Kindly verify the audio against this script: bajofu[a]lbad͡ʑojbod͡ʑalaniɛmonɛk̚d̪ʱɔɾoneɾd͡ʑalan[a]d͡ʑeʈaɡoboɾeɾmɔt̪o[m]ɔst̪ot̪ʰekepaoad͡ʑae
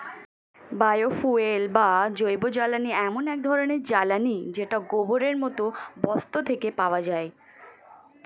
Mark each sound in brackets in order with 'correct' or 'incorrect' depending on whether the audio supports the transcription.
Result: incorrect: e, incorrect: i, incorrect: b

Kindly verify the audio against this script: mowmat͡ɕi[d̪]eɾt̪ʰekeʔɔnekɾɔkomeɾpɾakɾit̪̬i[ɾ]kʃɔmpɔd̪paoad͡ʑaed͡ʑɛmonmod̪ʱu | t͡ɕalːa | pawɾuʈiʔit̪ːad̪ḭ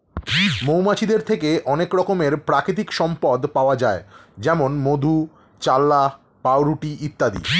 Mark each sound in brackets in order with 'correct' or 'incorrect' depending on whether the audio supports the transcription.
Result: correct, incorrect: none

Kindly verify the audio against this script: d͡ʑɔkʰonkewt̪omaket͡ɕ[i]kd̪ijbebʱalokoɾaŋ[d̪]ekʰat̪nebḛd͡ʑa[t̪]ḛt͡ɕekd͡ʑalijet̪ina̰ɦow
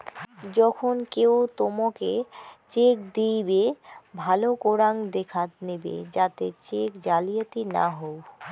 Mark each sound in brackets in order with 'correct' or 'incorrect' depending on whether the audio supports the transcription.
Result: incorrect: e, correct, correct

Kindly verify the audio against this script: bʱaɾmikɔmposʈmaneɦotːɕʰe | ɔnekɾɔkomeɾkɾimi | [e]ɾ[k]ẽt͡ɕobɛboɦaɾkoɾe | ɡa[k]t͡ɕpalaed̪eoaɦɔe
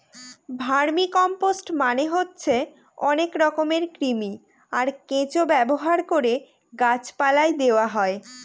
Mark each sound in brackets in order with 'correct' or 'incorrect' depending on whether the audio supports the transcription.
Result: incorrect: a, correct, incorrect: none

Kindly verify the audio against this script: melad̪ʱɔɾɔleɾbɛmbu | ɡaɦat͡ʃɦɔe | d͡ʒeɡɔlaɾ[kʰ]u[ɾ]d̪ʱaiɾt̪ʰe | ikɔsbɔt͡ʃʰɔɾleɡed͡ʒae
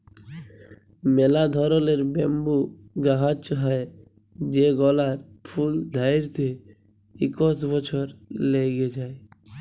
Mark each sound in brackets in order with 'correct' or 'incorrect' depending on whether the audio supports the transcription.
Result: incorrect: pʰ, incorrect: l

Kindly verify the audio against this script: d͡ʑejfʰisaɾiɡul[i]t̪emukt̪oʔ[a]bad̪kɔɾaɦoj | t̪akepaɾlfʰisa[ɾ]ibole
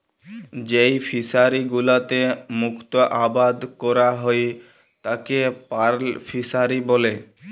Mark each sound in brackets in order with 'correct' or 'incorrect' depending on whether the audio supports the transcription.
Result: incorrect: a, correct, correct

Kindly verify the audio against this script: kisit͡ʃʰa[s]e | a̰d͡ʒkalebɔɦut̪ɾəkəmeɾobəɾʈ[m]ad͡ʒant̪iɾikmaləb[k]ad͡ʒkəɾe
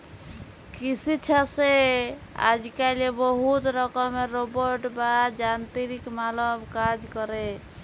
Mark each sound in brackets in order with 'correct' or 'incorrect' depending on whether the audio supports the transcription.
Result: correct, incorrect: b, correct

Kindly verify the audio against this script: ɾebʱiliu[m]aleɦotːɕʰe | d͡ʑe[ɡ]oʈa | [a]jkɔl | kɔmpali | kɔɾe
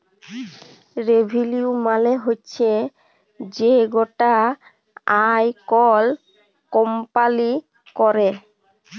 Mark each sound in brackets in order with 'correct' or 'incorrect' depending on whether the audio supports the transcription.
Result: correct, correct, correct

